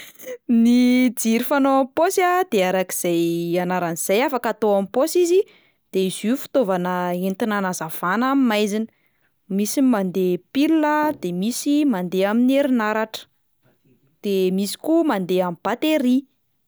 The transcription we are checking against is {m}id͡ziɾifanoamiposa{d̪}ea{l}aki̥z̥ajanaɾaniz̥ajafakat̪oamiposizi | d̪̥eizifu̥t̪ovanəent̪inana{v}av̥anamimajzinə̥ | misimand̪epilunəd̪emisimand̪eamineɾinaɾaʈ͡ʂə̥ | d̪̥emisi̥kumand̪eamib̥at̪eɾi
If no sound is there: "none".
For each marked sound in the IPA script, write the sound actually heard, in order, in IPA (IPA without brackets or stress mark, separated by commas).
n, d̪, ɾ, z